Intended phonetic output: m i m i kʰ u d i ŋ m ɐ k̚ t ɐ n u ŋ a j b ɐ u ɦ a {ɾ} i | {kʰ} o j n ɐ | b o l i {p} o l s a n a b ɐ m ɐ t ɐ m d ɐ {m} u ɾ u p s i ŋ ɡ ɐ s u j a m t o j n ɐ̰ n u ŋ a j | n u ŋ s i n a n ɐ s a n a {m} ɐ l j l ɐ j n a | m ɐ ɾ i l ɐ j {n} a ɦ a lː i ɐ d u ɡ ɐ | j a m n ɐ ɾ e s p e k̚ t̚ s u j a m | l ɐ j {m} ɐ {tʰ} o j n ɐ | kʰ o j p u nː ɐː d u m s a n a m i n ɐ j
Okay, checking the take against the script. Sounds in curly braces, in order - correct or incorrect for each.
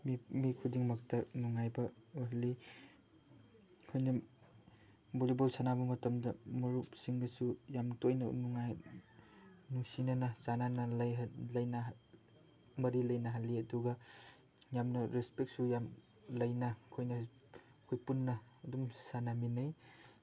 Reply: incorrect: l, correct, incorrect: b, correct, incorrect: n, correct, incorrect: n, incorrect: kʰ

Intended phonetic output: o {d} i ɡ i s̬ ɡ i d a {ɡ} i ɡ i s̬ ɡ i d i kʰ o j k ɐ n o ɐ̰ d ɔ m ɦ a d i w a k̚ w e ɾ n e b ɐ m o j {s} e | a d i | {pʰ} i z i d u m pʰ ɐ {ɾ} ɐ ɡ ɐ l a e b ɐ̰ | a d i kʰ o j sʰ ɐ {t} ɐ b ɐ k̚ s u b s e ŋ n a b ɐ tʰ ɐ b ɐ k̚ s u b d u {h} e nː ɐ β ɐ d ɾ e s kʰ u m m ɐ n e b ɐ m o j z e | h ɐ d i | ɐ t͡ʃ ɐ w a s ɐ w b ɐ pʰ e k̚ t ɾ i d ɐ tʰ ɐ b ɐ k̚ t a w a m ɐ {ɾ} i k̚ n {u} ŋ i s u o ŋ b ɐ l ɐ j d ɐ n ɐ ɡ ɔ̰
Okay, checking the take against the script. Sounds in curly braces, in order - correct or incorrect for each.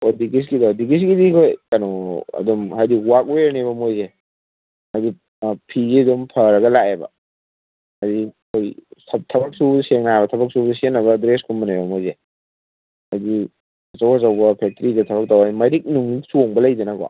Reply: correct, incorrect: d, incorrect: z, correct, correct, incorrect: tʰ, incorrect: s, correct, correct

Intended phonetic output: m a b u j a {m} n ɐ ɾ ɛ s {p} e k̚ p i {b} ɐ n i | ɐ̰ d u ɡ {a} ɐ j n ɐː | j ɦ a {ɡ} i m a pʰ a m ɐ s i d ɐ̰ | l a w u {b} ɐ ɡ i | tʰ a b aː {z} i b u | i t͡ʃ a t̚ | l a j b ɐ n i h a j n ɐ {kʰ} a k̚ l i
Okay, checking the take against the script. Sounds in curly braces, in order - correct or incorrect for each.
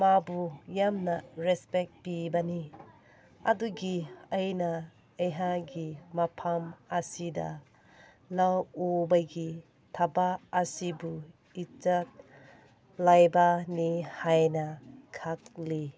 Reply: correct, correct, correct, incorrect: i, correct, correct, incorrect: s, correct

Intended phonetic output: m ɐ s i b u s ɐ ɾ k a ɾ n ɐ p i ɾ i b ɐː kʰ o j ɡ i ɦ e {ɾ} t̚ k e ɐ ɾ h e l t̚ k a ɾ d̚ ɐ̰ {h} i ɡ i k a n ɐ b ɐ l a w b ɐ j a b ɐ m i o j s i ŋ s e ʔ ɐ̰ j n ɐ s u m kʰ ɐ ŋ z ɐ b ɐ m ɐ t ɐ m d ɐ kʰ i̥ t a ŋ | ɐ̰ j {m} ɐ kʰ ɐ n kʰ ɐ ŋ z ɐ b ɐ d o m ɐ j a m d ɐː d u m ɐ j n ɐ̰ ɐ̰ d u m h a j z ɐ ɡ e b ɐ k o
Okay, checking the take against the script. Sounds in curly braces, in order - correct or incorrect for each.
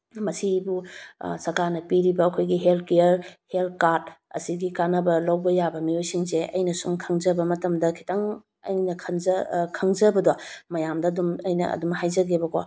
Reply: incorrect: l, incorrect: s, incorrect: n

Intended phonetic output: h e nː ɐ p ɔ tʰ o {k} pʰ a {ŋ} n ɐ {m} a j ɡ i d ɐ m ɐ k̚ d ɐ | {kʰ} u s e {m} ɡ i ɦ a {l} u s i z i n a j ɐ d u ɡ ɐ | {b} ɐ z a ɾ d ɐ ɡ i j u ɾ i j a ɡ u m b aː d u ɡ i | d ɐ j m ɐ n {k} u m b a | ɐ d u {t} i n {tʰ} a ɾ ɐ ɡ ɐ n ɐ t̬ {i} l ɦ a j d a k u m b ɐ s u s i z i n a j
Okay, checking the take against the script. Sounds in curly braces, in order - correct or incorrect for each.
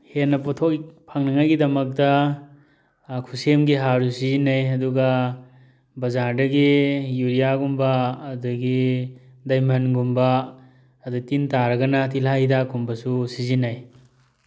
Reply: correct, correct, incorrect: ŋ, correct, correct, incorrect: ɾ, correct, incorrect: ɡ, correct, incorrect: t, correct

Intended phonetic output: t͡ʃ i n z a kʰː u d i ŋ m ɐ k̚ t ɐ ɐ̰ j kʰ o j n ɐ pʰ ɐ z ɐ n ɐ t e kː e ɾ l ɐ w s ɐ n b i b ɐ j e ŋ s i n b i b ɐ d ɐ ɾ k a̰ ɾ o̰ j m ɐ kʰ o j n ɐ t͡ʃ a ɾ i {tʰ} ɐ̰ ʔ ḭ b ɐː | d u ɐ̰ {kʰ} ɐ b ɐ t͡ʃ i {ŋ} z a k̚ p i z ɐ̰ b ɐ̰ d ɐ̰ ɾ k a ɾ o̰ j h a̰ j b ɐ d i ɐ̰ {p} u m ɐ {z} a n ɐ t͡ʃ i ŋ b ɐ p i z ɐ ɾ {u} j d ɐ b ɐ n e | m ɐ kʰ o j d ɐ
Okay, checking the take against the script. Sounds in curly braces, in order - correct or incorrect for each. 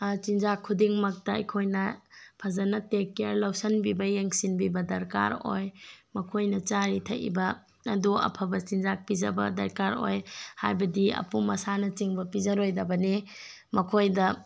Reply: correct, incorrect: pʰ, incorrect: n, correct, incorrect: s, incorrect: o

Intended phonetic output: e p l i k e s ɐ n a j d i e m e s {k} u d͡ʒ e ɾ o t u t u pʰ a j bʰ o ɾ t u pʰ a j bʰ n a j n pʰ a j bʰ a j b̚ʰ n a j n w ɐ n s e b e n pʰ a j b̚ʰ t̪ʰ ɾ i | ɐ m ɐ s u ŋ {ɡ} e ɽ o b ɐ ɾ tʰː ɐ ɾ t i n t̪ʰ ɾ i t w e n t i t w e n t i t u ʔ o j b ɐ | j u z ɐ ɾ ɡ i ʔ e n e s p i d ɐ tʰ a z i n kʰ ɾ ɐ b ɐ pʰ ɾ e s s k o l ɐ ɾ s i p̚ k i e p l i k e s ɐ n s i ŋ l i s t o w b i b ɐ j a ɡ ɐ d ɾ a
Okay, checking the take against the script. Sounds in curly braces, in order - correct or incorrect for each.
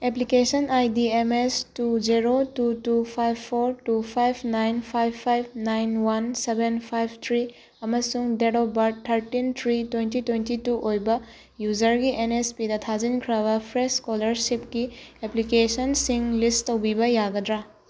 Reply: incorrect: t, incorrect: d

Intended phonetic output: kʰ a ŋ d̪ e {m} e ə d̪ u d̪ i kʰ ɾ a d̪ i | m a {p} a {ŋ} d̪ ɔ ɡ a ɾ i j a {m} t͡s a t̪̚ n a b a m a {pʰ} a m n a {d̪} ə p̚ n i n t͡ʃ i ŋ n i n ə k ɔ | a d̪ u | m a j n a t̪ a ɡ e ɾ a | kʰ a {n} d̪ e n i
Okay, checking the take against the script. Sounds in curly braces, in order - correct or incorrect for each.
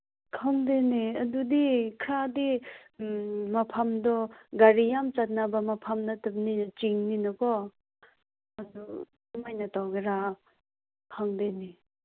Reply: incorrect: n, incorrect: pʰ, incorrect: m, correct, correct, incorrect: t̪, incorrect: ŋ

